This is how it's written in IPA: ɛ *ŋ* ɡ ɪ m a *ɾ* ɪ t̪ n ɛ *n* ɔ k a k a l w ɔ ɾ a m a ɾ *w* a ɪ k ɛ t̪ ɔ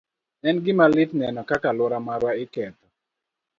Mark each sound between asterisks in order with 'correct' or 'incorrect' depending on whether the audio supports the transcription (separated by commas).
incorrect, incorrect, correct, correct